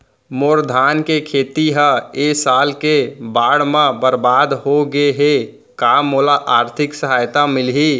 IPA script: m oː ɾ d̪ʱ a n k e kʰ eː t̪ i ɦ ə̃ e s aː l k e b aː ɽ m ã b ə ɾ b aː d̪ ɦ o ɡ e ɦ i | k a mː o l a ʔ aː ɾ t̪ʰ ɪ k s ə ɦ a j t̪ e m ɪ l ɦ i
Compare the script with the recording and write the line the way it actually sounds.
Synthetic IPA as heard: m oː ɾ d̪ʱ a n k e kʰ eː t̪ i ɦ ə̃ e s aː l k e b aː ɽ m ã b ə ɾ b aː d̪ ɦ o ɡ e ɦ e | k a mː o l a ʔ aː ɾ t̪ʰ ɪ k s ə ɦ a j t̪ a m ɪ l ɦ i